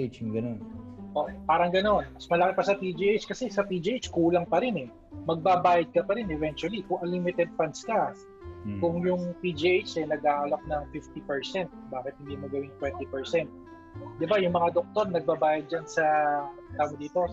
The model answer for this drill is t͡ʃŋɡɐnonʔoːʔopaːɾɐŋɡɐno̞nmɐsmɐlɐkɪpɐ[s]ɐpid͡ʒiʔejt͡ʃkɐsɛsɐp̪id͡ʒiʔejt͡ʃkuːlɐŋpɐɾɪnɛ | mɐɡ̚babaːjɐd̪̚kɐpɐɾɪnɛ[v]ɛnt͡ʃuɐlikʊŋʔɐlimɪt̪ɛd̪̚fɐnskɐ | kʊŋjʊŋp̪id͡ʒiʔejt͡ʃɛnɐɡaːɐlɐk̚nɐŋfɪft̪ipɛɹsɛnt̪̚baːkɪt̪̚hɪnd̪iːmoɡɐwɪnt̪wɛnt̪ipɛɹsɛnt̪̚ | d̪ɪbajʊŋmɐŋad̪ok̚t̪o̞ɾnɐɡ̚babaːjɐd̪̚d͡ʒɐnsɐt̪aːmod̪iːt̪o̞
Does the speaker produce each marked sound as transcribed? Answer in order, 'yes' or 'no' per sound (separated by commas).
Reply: yes, yes